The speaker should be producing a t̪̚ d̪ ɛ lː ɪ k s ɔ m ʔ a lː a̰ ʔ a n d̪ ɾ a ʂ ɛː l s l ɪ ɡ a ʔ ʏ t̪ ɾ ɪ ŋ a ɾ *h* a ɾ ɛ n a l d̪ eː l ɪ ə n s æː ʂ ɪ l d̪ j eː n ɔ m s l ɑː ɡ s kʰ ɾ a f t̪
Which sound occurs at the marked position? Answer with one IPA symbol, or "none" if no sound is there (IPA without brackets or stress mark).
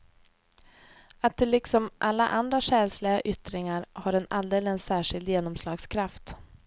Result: h